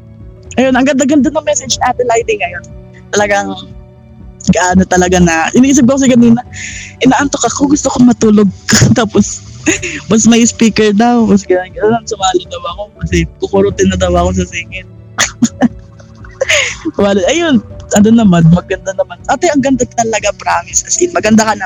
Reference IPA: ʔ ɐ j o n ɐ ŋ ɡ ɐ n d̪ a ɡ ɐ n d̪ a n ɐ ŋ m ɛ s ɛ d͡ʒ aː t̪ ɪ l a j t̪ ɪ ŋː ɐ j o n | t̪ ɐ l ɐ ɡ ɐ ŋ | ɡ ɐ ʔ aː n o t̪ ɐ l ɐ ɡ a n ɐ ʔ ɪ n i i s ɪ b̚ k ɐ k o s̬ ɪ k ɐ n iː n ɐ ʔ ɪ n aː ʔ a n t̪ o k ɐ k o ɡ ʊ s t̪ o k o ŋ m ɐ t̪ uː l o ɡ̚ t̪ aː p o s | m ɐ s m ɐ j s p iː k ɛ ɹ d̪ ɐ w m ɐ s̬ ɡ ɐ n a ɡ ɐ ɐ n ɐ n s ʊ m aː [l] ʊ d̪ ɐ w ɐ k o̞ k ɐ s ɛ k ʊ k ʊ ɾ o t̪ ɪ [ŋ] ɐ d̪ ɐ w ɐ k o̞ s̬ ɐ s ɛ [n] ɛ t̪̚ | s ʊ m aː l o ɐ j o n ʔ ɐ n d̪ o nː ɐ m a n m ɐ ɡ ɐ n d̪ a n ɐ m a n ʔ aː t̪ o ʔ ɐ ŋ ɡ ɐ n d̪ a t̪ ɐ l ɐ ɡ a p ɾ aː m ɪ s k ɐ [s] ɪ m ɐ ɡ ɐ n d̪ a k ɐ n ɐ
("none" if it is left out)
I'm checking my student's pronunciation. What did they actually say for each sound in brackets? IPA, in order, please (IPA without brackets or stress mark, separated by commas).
l, n, ŋ, s